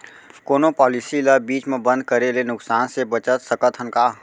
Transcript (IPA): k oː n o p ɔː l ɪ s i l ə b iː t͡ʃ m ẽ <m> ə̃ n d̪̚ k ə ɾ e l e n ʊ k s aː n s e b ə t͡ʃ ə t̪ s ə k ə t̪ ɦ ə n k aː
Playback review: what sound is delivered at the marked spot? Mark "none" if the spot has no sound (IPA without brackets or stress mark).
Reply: b